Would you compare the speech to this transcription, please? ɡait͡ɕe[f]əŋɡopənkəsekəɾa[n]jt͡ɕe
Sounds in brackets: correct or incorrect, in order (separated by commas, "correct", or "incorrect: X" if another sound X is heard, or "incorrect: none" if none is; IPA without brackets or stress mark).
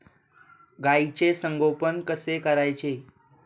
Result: incorrect: s, incorrect: none